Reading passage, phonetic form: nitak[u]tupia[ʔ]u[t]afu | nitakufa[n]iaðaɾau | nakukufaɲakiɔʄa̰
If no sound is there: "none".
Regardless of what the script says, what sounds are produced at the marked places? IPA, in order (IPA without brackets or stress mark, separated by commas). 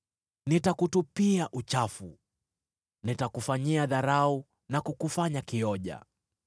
u, ʔ, t͡ʃ, ɲ